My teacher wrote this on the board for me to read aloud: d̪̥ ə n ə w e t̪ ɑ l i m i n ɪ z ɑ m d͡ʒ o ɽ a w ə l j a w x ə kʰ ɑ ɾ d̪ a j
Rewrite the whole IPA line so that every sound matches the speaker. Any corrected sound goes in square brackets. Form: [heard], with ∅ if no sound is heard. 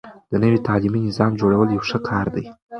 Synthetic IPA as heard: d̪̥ ə n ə w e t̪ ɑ l i m i n ɪ z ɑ m d͡ʒ o ɽ a w ə l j a w [ʂ] ə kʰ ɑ ɾ d̪ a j